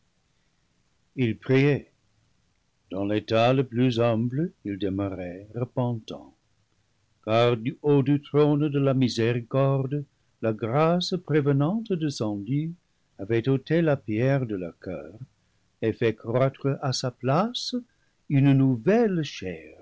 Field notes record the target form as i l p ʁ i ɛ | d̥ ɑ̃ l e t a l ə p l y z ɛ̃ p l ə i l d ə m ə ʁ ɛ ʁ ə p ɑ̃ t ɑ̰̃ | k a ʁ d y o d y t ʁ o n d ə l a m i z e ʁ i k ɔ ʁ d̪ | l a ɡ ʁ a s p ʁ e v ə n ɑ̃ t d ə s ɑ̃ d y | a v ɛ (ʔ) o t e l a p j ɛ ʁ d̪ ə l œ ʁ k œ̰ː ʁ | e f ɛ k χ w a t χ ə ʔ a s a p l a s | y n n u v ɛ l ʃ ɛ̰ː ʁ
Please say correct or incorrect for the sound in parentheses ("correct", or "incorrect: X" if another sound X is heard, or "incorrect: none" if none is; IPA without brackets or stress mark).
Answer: incorrect: t